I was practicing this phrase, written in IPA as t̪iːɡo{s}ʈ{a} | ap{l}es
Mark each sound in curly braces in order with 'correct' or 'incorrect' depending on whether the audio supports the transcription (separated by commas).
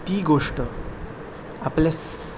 incorrect, incorrect, correct